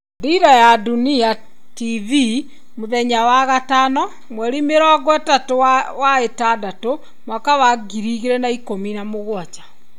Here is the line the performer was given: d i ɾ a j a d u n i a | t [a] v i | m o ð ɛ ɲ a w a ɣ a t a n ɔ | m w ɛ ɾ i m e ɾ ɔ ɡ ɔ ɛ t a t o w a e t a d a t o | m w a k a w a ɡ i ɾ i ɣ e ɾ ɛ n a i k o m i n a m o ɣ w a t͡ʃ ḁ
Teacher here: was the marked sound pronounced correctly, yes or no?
no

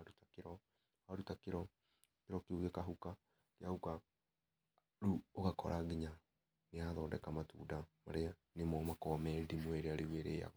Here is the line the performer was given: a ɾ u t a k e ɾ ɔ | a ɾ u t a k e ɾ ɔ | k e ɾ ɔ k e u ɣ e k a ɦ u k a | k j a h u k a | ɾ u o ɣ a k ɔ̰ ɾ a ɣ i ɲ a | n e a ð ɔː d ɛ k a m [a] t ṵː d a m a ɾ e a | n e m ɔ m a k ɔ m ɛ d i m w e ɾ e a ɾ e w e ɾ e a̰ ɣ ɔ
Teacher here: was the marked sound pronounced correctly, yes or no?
yes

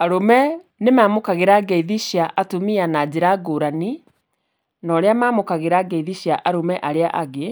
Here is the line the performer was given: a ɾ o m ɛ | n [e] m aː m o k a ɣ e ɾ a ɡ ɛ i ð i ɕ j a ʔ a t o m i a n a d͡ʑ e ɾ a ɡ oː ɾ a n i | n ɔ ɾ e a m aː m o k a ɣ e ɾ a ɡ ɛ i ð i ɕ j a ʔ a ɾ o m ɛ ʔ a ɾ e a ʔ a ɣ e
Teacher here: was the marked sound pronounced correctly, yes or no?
yes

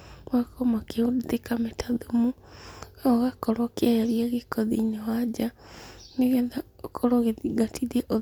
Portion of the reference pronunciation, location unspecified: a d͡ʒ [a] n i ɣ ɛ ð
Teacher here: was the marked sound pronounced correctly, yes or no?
yes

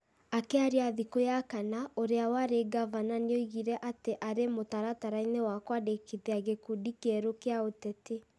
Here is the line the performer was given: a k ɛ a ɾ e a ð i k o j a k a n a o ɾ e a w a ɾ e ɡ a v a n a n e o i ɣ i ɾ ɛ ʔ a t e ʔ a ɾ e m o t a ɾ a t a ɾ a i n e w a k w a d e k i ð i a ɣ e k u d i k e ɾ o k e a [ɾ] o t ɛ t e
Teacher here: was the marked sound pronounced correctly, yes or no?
no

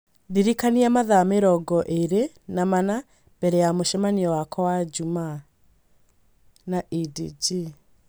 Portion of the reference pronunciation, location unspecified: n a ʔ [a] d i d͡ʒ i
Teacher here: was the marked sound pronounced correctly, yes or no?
no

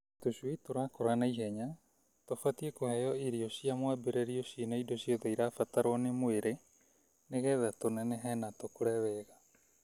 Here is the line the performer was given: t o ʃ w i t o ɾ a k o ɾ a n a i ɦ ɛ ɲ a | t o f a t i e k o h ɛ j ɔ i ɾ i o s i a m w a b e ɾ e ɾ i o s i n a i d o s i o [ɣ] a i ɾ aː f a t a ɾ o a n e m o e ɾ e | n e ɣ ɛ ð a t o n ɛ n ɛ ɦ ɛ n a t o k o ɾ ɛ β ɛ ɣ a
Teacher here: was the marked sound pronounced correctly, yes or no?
no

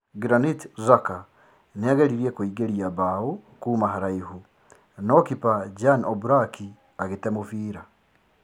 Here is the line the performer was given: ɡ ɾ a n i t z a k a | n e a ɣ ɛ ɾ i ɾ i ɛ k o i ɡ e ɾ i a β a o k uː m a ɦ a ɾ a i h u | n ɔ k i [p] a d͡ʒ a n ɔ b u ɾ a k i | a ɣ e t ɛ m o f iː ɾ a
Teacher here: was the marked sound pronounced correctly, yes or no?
yes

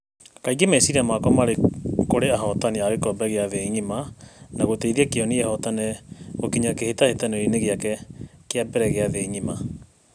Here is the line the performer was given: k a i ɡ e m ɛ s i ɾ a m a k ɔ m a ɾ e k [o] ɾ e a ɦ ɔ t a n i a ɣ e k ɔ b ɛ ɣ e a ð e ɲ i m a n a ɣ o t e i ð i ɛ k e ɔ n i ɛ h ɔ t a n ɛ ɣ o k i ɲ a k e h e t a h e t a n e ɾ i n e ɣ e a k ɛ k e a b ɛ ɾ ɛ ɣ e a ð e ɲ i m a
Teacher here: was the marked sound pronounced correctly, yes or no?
yes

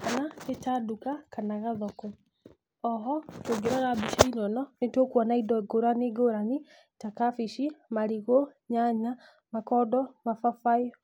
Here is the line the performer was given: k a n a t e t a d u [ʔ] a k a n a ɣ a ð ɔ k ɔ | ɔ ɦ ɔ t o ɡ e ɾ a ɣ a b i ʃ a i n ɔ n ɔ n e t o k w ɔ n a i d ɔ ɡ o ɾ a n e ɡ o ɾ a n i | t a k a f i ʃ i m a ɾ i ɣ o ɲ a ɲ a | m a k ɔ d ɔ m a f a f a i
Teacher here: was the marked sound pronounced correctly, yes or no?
no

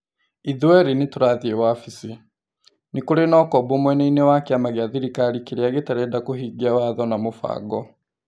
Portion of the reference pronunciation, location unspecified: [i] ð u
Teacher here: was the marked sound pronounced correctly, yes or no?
yes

